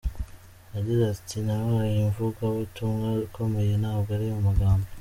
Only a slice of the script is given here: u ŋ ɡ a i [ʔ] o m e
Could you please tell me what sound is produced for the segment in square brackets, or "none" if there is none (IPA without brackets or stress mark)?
k